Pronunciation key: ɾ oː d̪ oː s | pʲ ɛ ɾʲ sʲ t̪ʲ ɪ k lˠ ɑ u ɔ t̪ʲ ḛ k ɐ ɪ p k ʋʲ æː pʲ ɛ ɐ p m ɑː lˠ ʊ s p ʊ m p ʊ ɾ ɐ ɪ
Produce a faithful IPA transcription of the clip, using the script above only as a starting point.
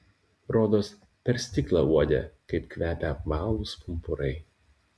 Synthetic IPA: ɾ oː d̪ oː s | pʲ ɛ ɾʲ sʲ t̪ʲ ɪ k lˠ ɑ u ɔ d̪ʲ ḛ k ɐ ɪ p k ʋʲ æː pʲ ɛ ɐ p m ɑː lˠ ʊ s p ʊ m p ʊ ɾ ɐ ɪ